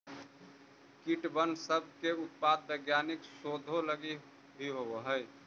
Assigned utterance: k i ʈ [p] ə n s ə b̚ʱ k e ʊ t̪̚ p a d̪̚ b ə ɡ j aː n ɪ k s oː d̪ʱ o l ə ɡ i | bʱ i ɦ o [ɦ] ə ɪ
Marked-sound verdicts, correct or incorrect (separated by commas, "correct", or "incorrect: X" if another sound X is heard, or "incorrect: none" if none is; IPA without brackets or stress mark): incorrect: b, correct